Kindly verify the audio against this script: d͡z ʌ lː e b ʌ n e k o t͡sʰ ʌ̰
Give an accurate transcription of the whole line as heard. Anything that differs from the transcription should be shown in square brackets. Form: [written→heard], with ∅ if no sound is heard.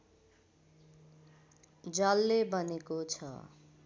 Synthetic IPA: d͡z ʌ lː e b ʌ n e k o t͡sʰ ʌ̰